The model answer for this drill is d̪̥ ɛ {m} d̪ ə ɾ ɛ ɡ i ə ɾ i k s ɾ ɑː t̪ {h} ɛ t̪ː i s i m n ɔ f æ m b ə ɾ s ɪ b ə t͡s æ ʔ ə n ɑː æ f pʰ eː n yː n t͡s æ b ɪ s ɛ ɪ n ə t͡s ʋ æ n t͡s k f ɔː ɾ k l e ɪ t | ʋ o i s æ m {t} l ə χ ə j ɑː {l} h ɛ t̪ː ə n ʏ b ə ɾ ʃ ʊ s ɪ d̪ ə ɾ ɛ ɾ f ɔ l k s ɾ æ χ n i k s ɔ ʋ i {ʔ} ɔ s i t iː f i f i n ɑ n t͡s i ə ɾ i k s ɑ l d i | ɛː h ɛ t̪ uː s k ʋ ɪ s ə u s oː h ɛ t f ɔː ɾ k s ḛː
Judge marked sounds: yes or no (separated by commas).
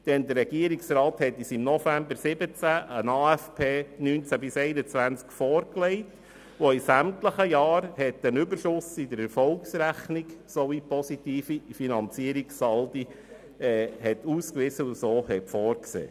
no, yes, yes, no, no